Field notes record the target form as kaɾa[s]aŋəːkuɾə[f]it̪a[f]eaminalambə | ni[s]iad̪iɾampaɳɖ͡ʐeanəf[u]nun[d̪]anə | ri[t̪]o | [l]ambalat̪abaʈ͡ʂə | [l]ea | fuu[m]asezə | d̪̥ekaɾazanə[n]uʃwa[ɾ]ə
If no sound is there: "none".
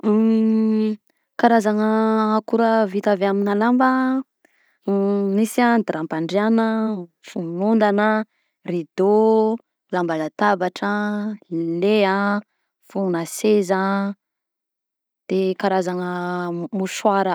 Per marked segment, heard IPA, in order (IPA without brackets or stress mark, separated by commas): z, v, v, s, u, d̪, d̪, l, l, n, m, ɾ